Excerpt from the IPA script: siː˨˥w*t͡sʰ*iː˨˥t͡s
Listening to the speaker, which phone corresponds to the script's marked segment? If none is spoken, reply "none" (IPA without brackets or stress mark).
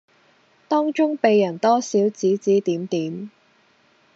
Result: t͡s